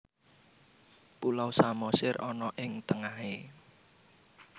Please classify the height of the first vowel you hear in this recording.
high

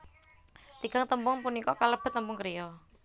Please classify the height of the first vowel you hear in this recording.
high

